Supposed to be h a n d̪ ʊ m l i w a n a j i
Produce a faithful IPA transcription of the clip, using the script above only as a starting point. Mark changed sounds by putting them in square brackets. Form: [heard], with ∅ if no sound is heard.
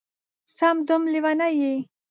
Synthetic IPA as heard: [s] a [m] d̪ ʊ m l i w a n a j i

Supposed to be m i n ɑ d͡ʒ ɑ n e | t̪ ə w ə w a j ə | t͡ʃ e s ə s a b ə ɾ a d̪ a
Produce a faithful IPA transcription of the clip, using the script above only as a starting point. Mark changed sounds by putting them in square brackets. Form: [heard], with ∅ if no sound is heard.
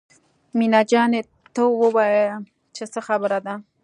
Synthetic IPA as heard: m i n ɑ d͡ʒ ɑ n e | t̪ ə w ə w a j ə | t͡ʃ e s ə [x] a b ə ɾ a d̪ a

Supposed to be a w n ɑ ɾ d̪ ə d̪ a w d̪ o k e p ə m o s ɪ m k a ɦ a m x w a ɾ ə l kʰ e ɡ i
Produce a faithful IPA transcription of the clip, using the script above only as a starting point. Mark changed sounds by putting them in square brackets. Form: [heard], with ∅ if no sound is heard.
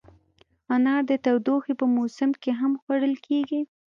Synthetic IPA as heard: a [∅] n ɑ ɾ d̪ ə [t̪] a w d̪ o [x] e p ə m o s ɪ m k [e] ɦ a m x w a [ɽ] ə l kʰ e ɡ i

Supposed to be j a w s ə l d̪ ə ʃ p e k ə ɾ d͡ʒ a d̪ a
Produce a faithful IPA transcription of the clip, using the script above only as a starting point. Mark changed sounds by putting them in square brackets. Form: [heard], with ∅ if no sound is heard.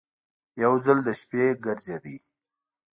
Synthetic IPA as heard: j a w [z] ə l d̪ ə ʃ p e [ɡ] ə ɾ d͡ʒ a d̪ [i]

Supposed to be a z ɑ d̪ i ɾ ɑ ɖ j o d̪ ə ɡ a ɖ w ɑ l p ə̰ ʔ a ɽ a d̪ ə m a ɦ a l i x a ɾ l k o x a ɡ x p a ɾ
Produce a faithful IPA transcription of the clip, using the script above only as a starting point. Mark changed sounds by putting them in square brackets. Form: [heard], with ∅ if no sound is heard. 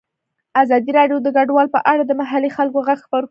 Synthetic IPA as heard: a z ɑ d̪ i ɾ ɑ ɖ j o d̪ ə ɡ a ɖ w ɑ l p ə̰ ʔ a ɽ a d̪ ə m a ɦ a l i x a [∅] l k o [ɣ] a ɡ x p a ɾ

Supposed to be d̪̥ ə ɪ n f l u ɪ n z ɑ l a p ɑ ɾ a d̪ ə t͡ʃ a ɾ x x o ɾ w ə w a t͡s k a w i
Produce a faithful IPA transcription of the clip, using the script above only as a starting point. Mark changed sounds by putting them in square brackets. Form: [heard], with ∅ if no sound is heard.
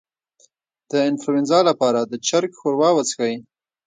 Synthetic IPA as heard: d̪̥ ə ɪ n f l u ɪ n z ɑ l a p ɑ ɾ a d̪ ə t͡ʃ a ɾ [k] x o ɾ w [ɑ] w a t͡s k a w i

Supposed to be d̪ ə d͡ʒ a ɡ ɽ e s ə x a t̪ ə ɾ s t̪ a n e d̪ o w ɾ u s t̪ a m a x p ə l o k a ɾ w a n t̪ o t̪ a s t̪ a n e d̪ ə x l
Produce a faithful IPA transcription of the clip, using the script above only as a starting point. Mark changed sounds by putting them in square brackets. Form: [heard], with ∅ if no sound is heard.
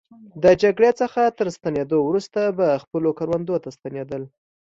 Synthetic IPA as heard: d̪ ə d͡ʒ a ɡ ɽ e [t͡s] ə x a t̪ ə ɾ s t̪ a n e d̪ o w ɾ u s t̪ a [b] a x p ə l o k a ɾ w a n [d̪] o t̪ a s t̪ a n e d̪ ə [∅] l

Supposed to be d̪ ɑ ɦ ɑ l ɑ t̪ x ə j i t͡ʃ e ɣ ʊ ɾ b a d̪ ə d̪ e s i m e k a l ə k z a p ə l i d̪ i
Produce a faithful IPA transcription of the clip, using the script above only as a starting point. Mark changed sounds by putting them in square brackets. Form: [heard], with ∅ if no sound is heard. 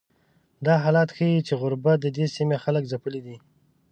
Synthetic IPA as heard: d̪ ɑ ɦ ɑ l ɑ t̪ x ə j i t͡ʃ e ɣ ʊ ɾ b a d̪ ə d̪ e s i m e [x] a l ə k z a p ə l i d̪ i

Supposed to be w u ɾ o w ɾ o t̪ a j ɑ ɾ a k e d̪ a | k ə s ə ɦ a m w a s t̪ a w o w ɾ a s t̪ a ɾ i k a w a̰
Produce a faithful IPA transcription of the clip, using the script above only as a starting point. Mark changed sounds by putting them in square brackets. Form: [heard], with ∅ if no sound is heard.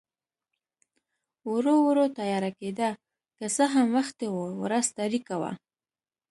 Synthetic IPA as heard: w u ɾ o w ɾ o t̪ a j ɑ ɾ a k e d̪ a | k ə s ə ɦ a m w a [x] t̪ [e] w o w ɾ a s t̪ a ɾ i k a w a̰

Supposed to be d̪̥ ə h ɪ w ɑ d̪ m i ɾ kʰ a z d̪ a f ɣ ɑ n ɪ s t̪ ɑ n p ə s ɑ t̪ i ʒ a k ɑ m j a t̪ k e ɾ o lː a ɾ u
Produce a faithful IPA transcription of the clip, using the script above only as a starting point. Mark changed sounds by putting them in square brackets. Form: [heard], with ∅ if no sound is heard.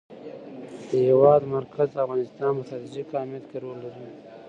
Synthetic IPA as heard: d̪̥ ə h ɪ w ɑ d̪ m [a] ɾ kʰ a z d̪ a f ɣ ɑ n ɪ s t̪ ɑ n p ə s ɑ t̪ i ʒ [i] k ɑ m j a t̪ k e ɾ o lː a ɾ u

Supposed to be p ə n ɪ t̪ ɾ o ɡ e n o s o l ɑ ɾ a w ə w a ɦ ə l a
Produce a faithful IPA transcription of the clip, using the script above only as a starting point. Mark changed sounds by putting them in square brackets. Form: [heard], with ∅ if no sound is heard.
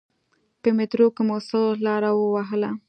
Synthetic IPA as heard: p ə [m] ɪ t̪ ɾ o [k] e [m] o s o l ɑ ɾ a w ə w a ɦ ə l a

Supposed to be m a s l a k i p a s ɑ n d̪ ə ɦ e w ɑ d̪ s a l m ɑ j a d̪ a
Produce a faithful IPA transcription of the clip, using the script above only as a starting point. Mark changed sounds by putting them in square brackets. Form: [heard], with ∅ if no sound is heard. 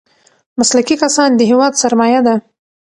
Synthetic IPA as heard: m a s l a k i [k] a s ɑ n d̪ ə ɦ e w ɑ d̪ s a [ɾ] m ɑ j a d̪ a

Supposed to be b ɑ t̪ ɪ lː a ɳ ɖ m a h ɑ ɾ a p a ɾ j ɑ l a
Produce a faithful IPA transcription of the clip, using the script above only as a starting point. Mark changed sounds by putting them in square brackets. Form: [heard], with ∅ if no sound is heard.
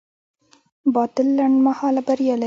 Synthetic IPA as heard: b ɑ t̪ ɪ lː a ɳ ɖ m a h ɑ [l] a [b] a ɾ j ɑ l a

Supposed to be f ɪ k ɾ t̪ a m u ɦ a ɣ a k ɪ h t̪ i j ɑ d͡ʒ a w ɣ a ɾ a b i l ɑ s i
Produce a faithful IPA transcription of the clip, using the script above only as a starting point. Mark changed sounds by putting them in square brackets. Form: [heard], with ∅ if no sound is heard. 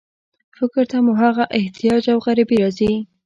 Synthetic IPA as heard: f ɪ k ɾ t̪ a m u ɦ a ɣ a [ʔ] ɪ h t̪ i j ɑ d͡ʒ a w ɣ a ɾ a b i [ɾ] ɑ [z] i

